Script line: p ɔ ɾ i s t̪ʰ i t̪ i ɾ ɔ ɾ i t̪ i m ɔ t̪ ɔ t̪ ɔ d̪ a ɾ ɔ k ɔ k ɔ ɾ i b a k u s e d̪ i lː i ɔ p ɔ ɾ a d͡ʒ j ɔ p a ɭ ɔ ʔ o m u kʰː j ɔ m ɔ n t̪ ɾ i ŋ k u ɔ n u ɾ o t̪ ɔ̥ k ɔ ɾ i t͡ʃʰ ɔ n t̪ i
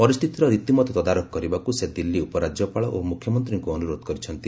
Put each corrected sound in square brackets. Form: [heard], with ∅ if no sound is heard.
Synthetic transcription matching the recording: p ɔ ɾ i s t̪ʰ i t̪ i ɾ ɔ ɾ i t̪ i m ɔ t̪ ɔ t̪ ɔ d̪ a ɾ ɔ k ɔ k ɔ ɾ i b a k u s e d̪ i lː i [u] p ɔ ɾ a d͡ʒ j ɔ p a ɭ ɔ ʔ o m u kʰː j ɔ m ɔ n t̪ ɾ i ŋ k u ɔ n u ɾ o [d̪] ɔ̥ k ɔ ɾ i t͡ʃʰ ɔ n t̪ i